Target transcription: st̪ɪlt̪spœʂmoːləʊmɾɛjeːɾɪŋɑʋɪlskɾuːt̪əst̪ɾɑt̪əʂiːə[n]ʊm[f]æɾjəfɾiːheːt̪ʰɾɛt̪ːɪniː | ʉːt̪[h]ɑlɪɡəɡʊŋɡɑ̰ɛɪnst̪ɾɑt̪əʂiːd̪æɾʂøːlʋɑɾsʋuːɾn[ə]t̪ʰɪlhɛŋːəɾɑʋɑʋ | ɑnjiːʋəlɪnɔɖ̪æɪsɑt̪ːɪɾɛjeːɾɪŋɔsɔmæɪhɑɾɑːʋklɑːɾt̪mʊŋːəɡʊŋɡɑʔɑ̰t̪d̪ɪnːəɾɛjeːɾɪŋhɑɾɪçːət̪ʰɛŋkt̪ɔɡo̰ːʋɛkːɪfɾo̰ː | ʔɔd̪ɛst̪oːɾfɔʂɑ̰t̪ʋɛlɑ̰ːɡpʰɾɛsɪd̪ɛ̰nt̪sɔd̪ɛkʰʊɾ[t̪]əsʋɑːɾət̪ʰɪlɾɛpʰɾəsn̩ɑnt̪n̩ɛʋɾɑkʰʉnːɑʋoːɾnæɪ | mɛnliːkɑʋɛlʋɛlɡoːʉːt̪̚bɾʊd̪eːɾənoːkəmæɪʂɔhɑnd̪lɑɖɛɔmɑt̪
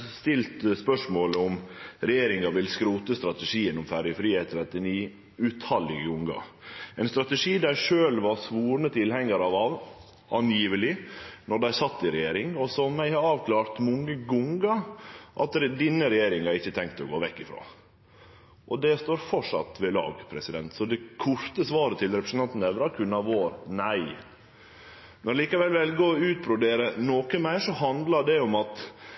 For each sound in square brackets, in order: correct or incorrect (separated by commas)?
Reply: correct, correct, correct, correct, correct